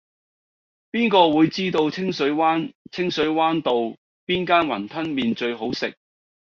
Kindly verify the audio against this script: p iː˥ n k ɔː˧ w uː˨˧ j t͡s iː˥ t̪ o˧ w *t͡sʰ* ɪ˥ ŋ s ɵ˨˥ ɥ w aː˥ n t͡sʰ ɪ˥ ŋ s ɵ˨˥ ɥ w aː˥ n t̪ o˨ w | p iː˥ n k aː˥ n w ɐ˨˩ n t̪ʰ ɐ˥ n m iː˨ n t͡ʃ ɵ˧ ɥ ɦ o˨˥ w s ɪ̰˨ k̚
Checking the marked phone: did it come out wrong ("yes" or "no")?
no